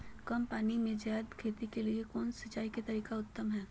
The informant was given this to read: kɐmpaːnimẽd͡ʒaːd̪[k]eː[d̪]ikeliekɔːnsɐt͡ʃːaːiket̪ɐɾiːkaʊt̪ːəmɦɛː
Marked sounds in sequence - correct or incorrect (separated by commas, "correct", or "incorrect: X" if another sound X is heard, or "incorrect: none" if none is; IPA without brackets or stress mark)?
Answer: incorrect: kʰ, incorrect: t̪